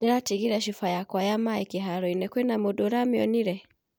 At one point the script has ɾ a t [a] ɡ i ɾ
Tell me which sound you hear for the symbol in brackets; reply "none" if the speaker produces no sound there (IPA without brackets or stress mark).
i